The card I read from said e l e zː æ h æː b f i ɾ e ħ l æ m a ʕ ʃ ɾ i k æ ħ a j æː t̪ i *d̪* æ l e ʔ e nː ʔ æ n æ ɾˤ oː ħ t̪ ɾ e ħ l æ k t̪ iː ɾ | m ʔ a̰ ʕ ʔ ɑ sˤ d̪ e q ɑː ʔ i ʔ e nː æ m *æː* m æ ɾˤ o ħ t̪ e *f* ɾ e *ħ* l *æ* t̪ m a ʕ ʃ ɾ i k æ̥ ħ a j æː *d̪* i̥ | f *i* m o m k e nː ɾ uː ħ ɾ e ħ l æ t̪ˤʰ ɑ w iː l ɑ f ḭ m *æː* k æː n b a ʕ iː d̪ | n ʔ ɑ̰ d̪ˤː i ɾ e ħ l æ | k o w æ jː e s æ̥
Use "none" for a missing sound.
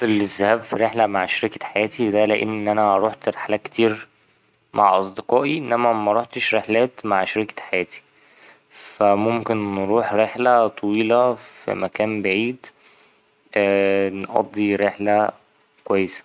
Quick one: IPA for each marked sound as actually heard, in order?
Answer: d̪, æ, ʃ, ħ, æː, t̪, æ, æ

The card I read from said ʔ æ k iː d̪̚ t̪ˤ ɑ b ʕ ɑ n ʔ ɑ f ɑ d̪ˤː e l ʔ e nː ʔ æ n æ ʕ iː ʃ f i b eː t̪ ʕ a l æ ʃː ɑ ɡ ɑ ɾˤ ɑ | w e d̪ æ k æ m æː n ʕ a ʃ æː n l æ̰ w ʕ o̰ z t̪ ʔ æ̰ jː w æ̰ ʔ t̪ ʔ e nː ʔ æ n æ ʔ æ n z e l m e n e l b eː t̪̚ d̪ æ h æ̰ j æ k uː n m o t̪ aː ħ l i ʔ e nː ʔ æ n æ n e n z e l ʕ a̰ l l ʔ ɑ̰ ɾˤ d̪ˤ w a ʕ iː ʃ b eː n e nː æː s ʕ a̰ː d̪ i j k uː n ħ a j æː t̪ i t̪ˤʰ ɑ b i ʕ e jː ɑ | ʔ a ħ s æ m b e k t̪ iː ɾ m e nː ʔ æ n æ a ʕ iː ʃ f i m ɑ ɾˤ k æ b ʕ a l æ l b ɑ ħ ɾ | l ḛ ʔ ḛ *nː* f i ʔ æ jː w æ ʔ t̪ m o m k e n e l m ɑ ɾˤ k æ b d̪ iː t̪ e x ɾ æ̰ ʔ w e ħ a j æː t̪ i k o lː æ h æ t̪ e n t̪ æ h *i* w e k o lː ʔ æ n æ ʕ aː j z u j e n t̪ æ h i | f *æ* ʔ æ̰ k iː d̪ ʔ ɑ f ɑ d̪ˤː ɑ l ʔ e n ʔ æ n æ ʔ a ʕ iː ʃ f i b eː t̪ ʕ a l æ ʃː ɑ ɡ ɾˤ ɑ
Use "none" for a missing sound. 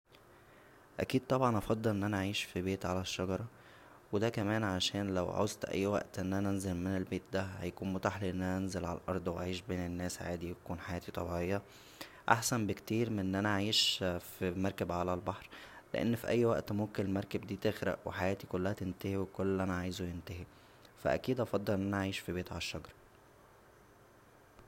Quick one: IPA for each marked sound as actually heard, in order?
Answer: nː, i, æ

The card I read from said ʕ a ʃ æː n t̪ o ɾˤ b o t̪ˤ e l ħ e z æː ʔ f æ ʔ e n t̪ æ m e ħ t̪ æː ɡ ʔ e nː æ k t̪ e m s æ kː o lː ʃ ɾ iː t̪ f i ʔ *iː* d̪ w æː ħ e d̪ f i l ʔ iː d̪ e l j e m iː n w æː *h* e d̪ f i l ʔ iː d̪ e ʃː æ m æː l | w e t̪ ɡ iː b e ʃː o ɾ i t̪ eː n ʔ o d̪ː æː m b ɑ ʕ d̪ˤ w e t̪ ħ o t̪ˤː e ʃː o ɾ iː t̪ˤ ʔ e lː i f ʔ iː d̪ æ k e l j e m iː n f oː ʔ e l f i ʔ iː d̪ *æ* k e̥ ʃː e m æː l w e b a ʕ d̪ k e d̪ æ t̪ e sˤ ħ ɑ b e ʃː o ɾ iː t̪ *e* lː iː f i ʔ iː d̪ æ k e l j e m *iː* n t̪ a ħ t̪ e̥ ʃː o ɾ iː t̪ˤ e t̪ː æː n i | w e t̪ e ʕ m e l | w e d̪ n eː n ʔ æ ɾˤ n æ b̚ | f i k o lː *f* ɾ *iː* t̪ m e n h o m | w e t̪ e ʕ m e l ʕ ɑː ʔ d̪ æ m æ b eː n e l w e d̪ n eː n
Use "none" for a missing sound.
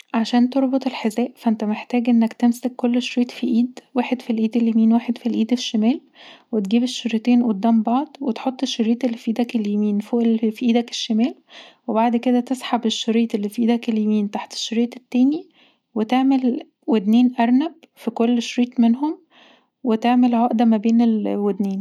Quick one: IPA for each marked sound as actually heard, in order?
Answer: iː, ħ, æ, e, iː, ʃ, iː

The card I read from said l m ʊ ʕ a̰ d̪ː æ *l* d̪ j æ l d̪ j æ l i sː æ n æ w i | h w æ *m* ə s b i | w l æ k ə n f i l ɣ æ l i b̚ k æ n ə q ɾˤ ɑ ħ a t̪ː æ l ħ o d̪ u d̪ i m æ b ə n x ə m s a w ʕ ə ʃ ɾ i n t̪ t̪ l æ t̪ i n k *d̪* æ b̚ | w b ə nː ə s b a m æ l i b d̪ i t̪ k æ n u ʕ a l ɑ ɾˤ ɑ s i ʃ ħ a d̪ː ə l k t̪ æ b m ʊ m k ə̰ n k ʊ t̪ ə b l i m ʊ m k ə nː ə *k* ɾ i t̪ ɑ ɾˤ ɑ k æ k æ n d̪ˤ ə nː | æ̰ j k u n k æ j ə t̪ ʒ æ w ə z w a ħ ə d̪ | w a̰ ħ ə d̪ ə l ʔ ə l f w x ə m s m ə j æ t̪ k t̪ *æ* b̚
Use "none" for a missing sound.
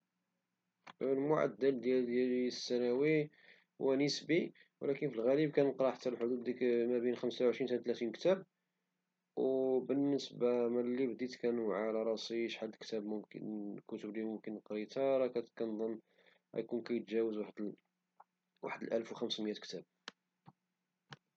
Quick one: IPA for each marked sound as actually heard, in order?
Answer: l, n, t̪, q, æ

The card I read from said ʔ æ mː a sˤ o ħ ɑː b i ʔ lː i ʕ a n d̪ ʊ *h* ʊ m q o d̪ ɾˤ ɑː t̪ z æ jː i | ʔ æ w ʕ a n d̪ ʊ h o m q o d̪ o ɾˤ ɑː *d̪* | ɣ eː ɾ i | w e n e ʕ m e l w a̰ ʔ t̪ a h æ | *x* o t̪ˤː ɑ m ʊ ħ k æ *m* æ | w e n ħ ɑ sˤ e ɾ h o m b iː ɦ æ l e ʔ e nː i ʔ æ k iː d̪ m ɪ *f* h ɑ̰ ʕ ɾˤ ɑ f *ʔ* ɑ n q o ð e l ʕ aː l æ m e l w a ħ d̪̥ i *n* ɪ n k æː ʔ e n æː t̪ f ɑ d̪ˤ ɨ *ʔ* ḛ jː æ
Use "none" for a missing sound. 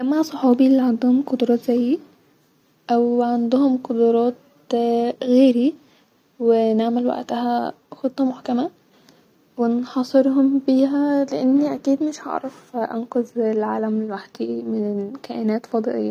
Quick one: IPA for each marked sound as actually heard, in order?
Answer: h, t̪, x, m, ʃ, ʔ, m, ʔ

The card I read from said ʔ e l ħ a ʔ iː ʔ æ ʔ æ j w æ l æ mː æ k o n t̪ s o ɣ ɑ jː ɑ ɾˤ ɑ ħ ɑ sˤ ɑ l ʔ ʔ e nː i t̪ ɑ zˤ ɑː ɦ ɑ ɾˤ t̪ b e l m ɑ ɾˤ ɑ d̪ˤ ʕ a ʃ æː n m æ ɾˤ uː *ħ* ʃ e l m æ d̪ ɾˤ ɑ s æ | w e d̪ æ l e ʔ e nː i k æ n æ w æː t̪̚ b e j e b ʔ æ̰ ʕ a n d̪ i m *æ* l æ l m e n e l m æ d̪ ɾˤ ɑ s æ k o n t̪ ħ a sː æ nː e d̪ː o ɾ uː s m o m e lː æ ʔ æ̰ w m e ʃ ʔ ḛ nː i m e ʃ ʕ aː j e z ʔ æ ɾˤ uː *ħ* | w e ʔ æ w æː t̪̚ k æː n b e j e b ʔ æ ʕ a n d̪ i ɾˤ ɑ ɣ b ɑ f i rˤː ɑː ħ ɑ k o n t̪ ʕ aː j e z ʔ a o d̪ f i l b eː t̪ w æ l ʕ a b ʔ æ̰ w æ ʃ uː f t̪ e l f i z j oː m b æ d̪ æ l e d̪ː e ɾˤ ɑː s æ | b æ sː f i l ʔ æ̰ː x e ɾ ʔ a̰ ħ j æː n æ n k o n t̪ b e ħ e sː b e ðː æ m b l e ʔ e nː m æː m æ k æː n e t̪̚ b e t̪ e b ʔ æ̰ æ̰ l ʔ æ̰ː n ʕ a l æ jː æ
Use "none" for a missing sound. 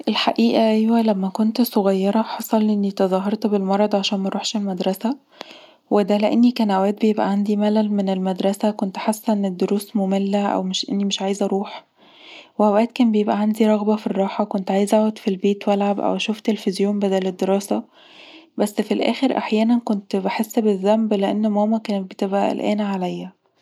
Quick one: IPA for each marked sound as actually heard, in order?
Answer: ħ, æ, ħ

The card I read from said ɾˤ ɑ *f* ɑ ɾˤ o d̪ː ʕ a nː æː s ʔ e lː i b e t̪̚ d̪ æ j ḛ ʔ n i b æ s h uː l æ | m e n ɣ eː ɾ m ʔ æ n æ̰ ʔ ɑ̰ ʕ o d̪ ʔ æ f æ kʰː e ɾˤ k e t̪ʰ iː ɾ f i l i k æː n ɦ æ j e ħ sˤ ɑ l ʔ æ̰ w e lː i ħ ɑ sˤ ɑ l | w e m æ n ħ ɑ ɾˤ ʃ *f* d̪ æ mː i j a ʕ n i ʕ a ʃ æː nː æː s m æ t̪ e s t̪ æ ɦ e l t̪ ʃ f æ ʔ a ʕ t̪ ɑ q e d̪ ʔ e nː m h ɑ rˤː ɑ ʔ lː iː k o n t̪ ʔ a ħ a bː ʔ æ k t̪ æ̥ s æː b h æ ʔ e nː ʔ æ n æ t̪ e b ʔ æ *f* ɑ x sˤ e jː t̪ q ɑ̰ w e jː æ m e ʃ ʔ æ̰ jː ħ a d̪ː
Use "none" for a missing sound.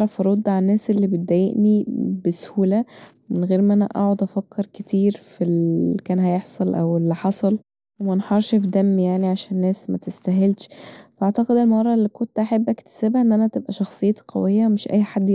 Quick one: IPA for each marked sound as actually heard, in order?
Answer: f, f, ʃ

